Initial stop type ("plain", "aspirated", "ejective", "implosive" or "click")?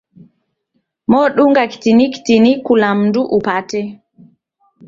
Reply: implosive